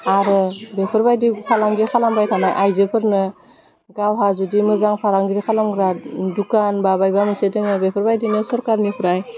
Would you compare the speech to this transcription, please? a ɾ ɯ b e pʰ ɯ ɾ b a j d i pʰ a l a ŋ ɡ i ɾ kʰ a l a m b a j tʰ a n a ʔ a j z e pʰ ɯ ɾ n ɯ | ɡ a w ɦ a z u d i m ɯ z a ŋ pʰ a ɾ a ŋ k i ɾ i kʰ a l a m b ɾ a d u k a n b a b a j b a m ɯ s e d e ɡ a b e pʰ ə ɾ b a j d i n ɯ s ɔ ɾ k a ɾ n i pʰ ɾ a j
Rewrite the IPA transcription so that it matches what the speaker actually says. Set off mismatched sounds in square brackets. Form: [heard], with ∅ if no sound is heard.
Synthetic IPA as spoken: a ɾ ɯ b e pʰ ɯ ɾ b a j d i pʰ a l a ŋ ɡ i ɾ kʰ a l a m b a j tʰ a n a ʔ a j z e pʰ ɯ ɾ n ɯ | ɡ a w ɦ a z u d i m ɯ z a ŋ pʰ a ɾ a ŋ [ɡ] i ɾ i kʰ a l a m [ɡ] ɾ a d u k a n b a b a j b a m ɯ s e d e [ŋ] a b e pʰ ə ɾ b a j d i n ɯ s ɔ ɾ k a ɾ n i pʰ ɾ a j